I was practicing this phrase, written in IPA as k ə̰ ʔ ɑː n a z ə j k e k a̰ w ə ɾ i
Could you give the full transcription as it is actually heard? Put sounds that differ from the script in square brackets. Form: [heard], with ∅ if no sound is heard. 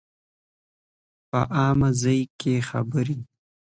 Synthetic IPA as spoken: [p] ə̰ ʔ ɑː [m] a z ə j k e [x] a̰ [b] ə ɾ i

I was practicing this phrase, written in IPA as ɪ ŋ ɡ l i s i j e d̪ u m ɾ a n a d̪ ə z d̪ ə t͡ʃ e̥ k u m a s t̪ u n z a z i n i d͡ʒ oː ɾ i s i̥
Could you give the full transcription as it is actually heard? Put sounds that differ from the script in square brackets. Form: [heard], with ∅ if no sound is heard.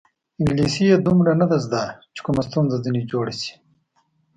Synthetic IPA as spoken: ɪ ŋ ɡ l i s i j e d̪ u m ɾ a n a d̪ [a] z d̪ [a] t͡ʃ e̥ k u m a s t̪ u n z a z i n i d͡ʒ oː [ɽ] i s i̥

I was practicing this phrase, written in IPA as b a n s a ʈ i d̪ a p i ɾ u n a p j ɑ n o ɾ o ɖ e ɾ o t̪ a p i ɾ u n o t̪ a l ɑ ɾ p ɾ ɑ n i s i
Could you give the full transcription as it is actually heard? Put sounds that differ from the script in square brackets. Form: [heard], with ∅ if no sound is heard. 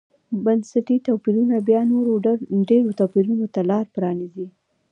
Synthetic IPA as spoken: b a n s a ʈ i [t̪] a p i ɾ u n a [b] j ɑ n o ɾ o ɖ e ɾ o t̪ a p i ɾ u n o t̪ a l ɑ ɾ p ɾ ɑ n i [z] i

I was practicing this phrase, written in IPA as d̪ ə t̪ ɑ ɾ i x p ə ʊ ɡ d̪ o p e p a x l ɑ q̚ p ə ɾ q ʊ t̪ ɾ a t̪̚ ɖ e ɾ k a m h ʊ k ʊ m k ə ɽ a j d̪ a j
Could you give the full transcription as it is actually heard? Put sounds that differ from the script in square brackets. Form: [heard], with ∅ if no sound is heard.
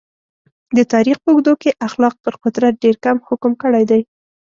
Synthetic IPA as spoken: d̪ ə t̪ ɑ ɾ i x p ə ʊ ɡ d̪ o [k] e [ʔ] a x l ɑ q̚ p ə ɾ q ʊ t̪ ɾ a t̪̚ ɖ e ɾ k a m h ʊ k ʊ m k ə ɽ a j d̪ a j

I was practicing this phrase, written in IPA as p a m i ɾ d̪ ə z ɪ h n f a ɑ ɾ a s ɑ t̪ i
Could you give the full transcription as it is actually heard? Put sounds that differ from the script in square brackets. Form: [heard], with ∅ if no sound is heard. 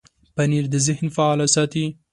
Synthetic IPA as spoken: p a [n] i ɾ d̪ ə z ɪ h n f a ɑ [l] a s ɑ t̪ i

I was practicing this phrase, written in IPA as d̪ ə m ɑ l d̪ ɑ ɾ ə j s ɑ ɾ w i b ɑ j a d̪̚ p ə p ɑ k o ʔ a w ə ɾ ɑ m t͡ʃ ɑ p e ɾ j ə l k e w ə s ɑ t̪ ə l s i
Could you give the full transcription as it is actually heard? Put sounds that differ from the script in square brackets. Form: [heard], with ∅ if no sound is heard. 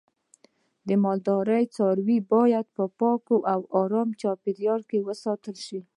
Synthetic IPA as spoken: d̪ ə m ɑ l d̪ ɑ ɾ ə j [t͡s] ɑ ɾ w i b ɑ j a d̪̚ p ə p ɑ k o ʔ a w [ɑ] ɾ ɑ m t͡ʃ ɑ p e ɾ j [ɑ] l k e w ə s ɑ t̪ ə l [ʃ] i

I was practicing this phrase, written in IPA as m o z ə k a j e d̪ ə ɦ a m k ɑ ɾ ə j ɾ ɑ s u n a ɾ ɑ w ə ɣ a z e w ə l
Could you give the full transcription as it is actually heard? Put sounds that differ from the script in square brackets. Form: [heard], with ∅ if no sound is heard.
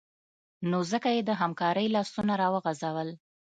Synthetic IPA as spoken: [n] o z ə k a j e d̪ ə ɦ a m k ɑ ɾ ə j [l] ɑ s u n a ɾ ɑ w ə ɣ a z [a] w ə l

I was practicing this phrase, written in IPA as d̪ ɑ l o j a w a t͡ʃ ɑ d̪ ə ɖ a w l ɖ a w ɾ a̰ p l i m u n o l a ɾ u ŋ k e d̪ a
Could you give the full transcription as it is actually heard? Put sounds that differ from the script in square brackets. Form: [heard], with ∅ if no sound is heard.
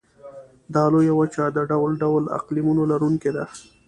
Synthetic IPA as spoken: d̪ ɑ l o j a w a t͡ʃ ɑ d̪ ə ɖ a w l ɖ a w [l] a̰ [q] l i m u n o l a ɾ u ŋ k e d̪ a

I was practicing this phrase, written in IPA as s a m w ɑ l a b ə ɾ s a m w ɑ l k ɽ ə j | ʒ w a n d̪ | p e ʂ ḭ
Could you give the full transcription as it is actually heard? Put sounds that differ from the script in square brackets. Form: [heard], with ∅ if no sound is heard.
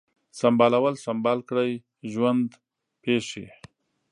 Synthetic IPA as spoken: s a m [b] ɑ l a [w] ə [l] s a m [b] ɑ l k ɽ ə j | ʒ w a n d̪ | p e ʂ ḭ

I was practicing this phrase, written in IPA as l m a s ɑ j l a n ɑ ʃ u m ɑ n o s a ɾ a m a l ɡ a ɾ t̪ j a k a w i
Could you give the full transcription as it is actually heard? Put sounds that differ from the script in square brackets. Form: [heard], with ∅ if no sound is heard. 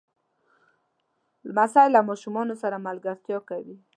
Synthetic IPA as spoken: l m a s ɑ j l a [m] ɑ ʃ u m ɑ n o s a ɾ a m a l ɡ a ɾ t̪ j [ɑ] k a w i

